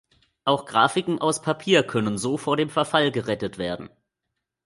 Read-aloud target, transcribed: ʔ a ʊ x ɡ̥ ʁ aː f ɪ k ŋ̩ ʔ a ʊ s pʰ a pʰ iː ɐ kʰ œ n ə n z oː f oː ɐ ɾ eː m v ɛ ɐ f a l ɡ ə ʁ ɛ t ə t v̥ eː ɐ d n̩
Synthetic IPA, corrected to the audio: ʔ a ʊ x ɡ̥ ʁ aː f ɪ k ŋ̩ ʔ a ʊ s pʰ a pʰ iː ɐ kʰ œ n ə n z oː f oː ɐ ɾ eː m f ɛ ɐ f a l ɡ ə ʁ ɛ t ə t v̥ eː ɐ d n̩